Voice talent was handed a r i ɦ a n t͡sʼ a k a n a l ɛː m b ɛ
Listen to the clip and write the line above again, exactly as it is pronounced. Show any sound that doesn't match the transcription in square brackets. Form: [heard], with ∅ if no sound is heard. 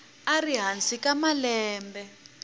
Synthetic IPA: a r i ɦ a n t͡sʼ [i] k a [m] a l ɛː m b ɛ